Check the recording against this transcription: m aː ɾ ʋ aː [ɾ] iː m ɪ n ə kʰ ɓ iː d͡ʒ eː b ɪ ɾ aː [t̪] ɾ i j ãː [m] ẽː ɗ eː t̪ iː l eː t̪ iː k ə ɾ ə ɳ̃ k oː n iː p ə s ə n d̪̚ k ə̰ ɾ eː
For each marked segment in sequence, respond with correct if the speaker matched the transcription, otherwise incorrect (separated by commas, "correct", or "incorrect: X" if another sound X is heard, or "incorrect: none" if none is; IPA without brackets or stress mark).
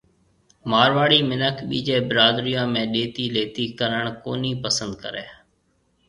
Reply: incorrect: ɽ, incorrect: d̪, correct